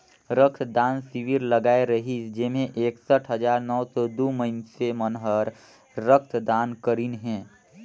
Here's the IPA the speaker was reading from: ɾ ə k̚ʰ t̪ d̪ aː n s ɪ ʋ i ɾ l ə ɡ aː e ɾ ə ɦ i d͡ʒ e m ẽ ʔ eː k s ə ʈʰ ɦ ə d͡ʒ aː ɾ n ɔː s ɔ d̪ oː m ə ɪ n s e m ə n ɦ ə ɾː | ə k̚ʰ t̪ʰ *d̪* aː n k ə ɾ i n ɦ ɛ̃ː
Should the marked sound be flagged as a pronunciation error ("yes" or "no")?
no